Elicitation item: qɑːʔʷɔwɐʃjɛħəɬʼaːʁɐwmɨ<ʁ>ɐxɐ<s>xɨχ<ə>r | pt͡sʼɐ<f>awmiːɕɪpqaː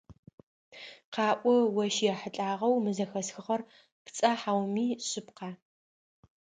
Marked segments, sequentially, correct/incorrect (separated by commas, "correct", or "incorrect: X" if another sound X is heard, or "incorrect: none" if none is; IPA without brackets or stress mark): incorrect: z, correct, incorrect: ɐ, incorrect: ħ